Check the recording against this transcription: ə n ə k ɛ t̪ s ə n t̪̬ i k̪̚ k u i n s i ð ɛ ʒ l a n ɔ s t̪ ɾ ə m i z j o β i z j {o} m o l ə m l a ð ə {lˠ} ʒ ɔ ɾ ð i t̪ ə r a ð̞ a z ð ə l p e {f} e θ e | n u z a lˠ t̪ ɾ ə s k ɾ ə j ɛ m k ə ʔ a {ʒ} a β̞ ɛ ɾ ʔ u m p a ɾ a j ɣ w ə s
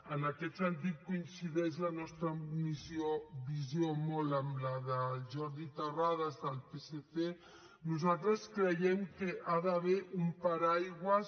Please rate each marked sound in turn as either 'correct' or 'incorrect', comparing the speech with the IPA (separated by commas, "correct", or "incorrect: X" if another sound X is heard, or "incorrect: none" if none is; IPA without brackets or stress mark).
correct, incorrect: none, incorrect: s, incorrect: ð